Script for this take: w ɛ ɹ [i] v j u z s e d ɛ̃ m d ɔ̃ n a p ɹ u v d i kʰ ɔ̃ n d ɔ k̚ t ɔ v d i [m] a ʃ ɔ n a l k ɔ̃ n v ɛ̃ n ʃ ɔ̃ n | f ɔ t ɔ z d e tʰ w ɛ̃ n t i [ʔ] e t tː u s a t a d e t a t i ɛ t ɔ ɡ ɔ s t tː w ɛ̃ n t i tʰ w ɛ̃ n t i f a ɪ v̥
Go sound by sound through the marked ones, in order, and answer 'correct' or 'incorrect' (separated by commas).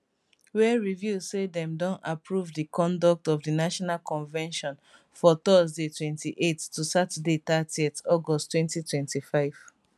correct, incorrect, correct